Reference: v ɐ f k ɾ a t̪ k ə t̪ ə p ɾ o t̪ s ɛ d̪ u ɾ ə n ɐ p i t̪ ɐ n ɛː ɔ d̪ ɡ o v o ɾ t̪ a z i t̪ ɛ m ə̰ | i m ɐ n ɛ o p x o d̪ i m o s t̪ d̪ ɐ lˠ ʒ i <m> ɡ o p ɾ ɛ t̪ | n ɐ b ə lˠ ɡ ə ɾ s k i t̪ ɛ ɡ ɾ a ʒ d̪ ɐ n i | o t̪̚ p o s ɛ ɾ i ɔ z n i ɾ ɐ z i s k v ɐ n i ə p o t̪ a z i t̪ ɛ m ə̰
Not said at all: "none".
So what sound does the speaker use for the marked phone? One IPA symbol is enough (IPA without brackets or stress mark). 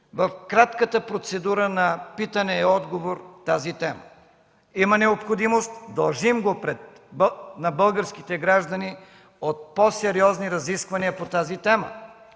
m